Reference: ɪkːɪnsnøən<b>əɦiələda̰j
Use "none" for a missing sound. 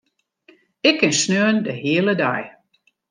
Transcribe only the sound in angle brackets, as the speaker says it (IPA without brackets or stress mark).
d